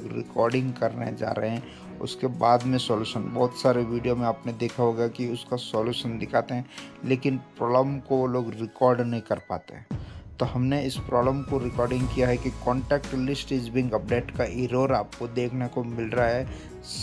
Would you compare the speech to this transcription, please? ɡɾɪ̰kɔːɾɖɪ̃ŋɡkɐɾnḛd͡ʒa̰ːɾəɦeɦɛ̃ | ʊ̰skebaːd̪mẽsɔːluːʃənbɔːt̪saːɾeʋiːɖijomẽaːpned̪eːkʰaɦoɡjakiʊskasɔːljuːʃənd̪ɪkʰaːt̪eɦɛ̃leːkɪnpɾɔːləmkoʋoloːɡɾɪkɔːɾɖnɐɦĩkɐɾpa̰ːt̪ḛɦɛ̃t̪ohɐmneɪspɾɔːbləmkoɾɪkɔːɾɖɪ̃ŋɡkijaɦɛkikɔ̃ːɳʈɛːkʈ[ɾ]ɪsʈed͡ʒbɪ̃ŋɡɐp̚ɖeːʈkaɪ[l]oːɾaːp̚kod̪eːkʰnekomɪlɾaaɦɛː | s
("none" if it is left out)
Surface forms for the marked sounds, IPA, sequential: l, ɾ

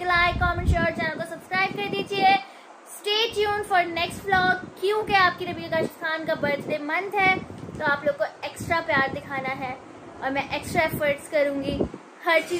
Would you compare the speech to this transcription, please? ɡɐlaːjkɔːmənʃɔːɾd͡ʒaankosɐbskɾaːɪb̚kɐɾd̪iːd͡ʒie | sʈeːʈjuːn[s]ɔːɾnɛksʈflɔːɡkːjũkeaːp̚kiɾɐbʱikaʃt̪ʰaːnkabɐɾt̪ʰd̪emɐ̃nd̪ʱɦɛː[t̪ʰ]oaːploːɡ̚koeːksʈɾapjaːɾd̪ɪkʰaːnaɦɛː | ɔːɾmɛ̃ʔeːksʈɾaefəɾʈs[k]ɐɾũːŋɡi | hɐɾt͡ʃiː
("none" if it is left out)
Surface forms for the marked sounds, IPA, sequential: f, t̪, k

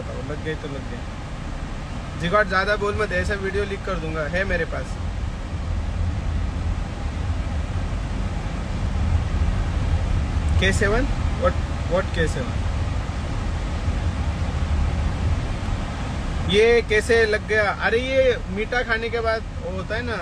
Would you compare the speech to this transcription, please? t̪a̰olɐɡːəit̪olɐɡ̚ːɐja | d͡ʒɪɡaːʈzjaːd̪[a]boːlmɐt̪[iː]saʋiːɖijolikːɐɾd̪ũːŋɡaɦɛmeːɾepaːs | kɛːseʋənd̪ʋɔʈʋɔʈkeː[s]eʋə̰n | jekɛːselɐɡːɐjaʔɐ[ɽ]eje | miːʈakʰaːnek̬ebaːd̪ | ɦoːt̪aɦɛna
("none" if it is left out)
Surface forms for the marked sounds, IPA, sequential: a, ɛː, s, ɾ

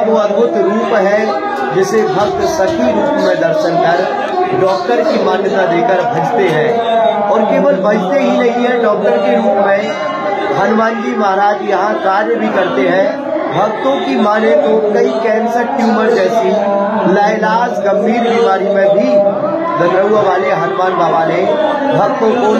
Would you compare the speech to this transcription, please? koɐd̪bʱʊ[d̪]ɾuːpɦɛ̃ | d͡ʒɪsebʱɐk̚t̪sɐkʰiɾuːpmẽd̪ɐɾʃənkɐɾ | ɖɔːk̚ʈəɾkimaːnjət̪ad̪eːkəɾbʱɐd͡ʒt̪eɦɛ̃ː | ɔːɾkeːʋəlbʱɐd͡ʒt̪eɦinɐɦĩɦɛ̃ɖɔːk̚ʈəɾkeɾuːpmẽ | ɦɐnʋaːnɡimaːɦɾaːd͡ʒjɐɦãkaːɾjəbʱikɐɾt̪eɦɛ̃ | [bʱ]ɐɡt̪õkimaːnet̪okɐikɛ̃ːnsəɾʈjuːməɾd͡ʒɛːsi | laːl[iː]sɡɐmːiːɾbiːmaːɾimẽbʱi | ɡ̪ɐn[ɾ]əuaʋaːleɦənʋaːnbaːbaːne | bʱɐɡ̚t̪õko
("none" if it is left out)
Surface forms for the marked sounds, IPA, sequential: t̪, bʱ, aː, ɾ

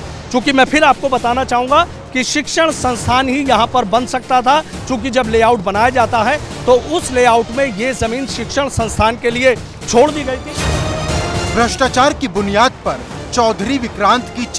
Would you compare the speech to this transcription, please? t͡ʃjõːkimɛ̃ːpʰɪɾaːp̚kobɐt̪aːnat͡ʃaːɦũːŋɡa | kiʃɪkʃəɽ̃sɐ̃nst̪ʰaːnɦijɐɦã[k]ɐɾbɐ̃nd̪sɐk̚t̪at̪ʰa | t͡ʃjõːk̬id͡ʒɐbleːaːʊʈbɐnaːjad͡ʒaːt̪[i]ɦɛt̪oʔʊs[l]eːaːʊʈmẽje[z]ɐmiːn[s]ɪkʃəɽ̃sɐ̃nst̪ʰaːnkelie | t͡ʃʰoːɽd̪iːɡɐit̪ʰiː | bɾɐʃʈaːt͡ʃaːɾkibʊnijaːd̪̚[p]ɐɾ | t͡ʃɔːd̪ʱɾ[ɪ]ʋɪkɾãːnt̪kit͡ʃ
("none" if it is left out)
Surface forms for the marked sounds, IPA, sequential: p, a, l, z, ʃ, p, i

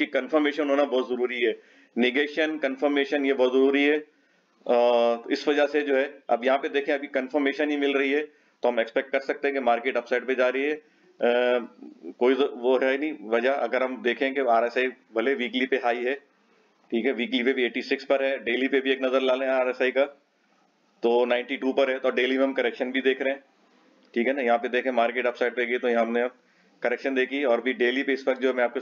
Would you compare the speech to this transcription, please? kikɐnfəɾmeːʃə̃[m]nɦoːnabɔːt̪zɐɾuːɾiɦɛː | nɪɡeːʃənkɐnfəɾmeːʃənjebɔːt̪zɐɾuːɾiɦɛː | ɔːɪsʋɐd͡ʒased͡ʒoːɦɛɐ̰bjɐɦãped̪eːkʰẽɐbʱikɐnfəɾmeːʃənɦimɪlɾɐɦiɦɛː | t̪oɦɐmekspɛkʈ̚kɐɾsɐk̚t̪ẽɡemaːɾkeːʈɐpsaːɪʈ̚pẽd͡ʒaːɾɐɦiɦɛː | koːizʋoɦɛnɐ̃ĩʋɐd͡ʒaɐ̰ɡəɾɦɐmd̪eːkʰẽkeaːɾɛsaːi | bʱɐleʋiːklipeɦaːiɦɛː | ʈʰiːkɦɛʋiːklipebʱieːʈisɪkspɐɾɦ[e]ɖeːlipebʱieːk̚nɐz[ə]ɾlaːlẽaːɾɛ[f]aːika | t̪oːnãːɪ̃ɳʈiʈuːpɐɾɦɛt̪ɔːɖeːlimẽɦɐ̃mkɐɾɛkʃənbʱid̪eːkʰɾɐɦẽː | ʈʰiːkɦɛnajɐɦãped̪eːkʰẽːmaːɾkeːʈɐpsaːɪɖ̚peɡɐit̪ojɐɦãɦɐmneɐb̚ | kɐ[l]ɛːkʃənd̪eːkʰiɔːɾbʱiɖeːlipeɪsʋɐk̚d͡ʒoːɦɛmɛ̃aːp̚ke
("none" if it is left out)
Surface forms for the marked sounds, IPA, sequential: n, ɛ, ə, s, ɾ

